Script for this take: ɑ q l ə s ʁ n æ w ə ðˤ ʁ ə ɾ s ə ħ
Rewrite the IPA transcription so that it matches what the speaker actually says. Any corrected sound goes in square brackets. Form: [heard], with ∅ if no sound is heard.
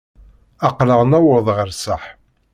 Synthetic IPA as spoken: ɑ q l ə [∅] ʁ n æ w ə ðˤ ʁ ə ɾ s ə ħ